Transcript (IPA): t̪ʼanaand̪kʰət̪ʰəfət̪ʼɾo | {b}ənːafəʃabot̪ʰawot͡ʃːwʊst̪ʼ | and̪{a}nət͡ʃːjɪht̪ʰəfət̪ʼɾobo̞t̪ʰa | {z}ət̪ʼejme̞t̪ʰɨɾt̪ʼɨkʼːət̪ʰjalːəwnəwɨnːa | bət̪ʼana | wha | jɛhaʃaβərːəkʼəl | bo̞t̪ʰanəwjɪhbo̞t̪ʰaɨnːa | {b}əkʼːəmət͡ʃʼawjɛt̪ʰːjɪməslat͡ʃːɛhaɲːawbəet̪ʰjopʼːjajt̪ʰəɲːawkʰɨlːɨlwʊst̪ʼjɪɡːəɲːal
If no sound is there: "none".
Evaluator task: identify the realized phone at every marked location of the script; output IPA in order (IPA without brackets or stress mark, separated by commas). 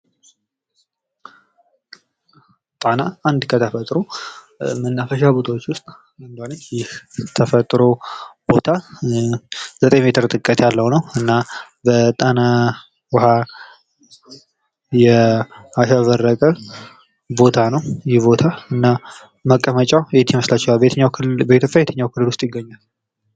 m, a, z, m